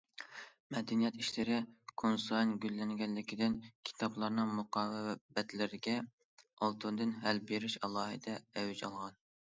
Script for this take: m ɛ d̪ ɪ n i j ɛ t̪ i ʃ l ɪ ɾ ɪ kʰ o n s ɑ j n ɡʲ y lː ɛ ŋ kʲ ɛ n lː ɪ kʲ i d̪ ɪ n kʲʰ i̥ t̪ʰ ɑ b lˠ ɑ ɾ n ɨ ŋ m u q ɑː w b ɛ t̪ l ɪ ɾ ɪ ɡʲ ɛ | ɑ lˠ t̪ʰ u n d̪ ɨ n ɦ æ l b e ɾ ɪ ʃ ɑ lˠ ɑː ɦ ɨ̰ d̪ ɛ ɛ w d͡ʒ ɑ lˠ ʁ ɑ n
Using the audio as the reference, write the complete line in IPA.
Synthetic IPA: m ɛ d̪ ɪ n i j ɛ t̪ i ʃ l ɪ ɾ ɪ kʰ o n s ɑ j n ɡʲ y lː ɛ ŋ ɡʲ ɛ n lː ɪ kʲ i d̪ ɪ n kʲʰ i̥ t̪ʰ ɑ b lˠ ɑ ɾ n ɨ ŋ m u q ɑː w b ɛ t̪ l ɪ ɾ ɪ ɡʲ ɛ | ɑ lˠ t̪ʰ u n d̪ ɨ n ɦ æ l b e ɾ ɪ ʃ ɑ lˠ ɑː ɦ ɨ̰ d̪ ɛ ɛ w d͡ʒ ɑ lˠ ʁ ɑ n